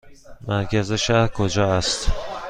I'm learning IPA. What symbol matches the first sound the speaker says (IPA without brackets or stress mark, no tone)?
m